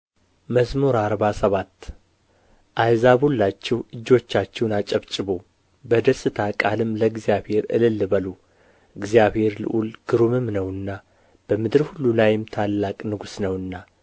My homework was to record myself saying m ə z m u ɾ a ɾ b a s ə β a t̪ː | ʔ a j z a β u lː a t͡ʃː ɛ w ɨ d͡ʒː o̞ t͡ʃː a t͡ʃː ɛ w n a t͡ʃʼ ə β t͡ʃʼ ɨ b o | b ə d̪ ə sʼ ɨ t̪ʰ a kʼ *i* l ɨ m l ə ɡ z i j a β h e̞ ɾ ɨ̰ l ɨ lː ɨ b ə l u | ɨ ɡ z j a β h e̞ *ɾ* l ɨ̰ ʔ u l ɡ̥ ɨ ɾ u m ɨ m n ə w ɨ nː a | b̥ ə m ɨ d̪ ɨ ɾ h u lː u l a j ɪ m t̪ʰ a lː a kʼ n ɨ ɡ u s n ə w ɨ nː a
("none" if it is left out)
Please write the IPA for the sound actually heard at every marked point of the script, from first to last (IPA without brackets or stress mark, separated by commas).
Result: a, ɾ